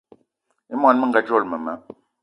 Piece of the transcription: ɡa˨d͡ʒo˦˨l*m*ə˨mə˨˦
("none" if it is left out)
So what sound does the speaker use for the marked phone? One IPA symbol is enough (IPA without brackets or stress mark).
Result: m